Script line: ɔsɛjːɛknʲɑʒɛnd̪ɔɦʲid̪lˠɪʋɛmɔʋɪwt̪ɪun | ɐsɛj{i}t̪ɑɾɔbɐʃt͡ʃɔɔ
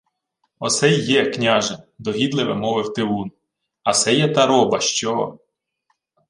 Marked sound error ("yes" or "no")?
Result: yes